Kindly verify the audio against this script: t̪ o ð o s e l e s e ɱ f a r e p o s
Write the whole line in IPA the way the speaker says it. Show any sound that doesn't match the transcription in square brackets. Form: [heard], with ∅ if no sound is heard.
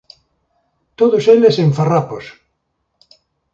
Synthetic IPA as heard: t̪ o ð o s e l e s e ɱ f a r [a] p o s